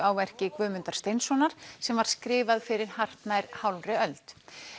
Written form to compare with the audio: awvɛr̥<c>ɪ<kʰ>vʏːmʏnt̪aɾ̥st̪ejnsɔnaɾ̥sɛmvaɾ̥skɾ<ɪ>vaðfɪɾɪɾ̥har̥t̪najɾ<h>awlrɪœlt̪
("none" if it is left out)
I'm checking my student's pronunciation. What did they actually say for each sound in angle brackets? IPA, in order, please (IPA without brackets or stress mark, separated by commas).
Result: c, k, ɪː, h